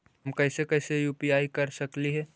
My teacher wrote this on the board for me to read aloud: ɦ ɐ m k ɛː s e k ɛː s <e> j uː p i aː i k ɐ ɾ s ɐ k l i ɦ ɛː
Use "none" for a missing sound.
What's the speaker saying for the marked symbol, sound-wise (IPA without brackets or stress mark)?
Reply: e